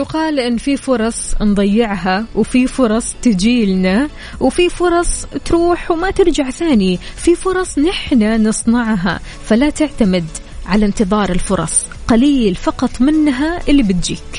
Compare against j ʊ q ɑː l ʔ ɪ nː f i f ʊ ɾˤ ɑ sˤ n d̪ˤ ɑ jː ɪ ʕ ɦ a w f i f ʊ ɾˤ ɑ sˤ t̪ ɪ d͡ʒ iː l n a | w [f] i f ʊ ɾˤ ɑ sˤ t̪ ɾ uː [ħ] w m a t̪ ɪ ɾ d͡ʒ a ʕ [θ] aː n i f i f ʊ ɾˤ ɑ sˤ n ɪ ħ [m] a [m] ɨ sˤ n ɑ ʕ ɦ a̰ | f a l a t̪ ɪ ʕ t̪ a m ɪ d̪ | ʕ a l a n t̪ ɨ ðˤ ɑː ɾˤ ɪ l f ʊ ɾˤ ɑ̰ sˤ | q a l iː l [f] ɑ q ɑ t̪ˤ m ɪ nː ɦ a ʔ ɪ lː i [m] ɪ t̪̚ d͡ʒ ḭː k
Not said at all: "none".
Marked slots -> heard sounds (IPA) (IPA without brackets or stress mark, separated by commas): f, ħ, θ, n, n, f, b